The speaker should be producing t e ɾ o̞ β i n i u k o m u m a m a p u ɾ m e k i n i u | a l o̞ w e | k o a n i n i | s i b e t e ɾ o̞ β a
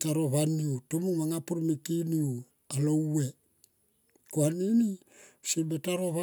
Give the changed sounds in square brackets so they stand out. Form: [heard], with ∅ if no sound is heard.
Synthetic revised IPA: t [a] ɾ o̞ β [a] n i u [t] o m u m a [ŋ] a p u ɾ m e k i n i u | a l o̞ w e | k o a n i n i | s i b e t [a] ɾ o̞ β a